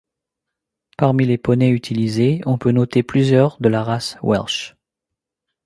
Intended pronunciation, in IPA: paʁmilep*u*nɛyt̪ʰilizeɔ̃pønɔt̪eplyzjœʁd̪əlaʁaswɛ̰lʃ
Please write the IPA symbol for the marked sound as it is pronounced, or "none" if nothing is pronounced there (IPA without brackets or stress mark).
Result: ɔ